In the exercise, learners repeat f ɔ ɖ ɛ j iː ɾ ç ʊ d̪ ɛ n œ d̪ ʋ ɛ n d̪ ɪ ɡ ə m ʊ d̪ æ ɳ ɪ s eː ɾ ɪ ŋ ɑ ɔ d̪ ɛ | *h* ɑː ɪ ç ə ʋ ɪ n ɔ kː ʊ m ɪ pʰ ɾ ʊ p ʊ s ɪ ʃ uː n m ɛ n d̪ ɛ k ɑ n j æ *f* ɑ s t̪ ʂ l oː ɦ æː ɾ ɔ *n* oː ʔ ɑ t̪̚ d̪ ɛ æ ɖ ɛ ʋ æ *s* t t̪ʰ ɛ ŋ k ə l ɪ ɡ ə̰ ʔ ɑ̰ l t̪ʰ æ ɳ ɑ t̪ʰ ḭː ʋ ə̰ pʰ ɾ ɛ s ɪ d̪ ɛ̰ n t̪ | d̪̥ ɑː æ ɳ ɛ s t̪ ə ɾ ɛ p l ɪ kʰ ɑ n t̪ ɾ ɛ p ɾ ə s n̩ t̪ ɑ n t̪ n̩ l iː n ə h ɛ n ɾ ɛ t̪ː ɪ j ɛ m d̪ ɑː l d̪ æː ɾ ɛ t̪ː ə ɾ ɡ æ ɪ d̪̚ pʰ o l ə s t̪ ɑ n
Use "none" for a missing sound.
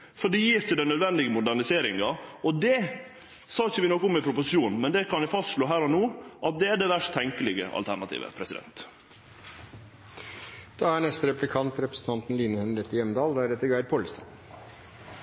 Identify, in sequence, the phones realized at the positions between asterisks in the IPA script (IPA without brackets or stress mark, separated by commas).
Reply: s, f, n, ʂ